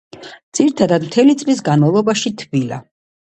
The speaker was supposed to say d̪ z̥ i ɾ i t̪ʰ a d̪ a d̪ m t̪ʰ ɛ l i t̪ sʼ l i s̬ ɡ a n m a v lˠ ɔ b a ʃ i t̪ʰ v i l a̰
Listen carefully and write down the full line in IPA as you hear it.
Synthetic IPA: d̪ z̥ i ɾ i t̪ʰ a d̪ a d̪ m t̪ʰ ɛ l i t̪ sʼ l i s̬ ɡ a n m a v lˠ ɔ b a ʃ i t̪ʰ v i l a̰